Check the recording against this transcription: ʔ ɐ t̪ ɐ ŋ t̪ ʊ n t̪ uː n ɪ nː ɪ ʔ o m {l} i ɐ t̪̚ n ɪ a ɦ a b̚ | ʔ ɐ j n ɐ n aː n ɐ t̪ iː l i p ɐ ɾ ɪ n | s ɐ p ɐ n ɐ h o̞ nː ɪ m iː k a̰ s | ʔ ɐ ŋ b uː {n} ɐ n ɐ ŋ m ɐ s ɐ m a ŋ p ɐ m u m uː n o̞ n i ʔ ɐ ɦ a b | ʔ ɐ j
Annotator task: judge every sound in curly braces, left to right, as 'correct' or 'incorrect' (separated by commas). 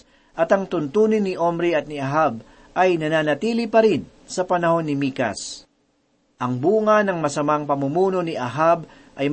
incorrect, incorrect